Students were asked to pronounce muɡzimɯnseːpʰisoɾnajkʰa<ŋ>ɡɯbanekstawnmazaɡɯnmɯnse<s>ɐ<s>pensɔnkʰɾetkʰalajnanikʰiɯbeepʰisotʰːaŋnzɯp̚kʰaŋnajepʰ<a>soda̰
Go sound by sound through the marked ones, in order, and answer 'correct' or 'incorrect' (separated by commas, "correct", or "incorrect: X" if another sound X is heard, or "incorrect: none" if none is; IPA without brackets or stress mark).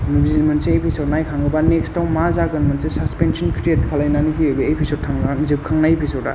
correct, correct, correct, incorrect: i